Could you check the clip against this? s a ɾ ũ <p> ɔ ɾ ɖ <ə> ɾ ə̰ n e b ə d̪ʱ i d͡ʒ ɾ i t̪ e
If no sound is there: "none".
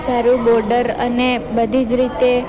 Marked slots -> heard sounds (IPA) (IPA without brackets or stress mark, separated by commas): b, ə